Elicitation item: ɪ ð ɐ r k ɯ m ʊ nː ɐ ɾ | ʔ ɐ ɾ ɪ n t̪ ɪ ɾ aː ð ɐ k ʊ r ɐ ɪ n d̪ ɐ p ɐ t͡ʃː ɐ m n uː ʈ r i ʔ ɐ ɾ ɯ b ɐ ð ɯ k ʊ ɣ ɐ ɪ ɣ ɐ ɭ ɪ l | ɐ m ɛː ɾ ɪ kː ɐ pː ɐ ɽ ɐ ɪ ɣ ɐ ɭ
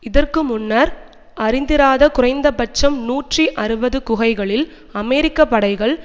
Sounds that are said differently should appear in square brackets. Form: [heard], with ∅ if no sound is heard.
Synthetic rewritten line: ɪ ð ɐ r k ɯ m ʊ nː ɐ ɾ | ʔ ɐ ɾ ɪ n [d̪] ɪ ɾ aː ð ɐ k ʊ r ɐ ɪ n d̪ ɐ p ɐ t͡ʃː ɐ m n uː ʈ r i ʔ ɐ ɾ ɯ b ɐ ð ɯ k ʊ ɣ ɐ ɪ ɣ ɐ ɭ ɪ l | ɐ m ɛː ɾ ɪ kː ɐ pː ɐ ɽ ɐ ɪ ɣ ɐ ɭ